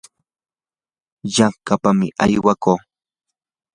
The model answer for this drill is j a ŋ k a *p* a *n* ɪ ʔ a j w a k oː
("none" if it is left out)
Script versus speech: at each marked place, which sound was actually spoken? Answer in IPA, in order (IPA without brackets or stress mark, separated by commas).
p, m